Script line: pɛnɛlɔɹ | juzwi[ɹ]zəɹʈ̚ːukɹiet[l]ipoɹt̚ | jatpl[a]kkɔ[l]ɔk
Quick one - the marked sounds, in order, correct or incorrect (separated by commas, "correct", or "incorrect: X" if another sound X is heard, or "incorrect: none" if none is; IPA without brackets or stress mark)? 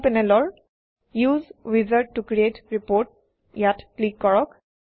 incorrect: none, incorrect: ɹ, incorrect: i, incorrect: ɹ